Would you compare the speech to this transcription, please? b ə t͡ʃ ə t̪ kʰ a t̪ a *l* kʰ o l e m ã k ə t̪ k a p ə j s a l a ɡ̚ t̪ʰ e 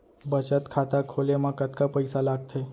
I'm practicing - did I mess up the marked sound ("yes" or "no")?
yes